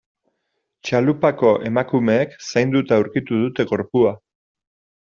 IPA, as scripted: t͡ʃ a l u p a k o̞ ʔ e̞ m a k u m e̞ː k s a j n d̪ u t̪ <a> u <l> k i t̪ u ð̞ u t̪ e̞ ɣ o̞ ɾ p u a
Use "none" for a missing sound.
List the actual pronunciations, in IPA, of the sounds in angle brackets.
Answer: a, ɾ

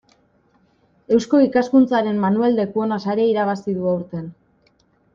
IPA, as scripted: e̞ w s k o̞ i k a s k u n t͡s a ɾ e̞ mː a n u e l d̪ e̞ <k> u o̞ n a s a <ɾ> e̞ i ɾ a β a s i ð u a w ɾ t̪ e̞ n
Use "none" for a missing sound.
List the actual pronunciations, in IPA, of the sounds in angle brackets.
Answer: k, ɾ

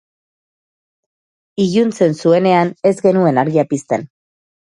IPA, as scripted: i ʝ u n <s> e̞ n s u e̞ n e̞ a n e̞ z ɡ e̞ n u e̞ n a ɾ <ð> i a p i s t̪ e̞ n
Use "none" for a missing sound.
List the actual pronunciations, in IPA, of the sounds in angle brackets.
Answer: t͡s, ɣ

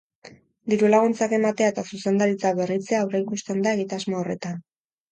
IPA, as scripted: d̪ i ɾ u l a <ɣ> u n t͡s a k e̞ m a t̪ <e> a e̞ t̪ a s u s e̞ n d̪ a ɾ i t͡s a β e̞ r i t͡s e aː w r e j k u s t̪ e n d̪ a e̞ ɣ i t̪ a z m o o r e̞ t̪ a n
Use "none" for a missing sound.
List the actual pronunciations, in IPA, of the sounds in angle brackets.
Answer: ɣ, e

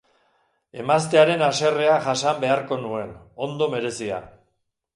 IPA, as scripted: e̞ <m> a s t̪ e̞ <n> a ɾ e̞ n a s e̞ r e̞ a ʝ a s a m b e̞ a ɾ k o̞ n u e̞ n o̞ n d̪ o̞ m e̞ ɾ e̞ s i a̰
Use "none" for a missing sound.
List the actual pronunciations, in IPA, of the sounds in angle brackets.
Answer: m, none

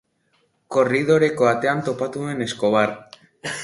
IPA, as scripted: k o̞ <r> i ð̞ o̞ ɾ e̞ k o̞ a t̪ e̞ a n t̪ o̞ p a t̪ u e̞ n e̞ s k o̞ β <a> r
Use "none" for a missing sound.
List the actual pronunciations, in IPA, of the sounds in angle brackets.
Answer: r, a

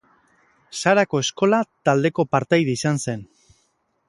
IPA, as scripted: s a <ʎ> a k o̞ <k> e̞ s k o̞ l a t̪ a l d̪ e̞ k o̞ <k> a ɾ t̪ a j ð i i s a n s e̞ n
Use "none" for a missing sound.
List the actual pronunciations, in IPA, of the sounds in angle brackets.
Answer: ɾ, none, p

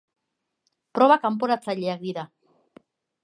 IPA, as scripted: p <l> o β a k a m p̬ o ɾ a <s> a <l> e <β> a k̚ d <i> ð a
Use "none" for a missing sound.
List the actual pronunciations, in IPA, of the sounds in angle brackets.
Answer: ɾ, t͡s, ʎ, none, i

